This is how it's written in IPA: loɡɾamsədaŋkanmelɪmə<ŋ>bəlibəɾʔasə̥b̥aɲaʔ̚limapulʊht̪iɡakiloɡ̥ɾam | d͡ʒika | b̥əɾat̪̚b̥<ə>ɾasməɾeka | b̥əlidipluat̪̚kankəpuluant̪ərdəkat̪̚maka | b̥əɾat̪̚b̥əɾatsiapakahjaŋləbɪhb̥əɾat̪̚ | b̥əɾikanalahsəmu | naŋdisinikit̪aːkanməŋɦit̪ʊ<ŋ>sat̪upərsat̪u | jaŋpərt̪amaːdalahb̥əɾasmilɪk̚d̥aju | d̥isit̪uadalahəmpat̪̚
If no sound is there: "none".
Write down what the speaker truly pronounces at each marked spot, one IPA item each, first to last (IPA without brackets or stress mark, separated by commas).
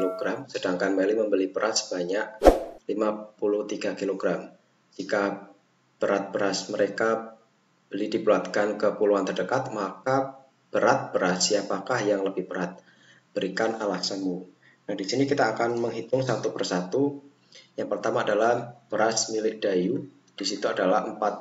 m, ə, ŋ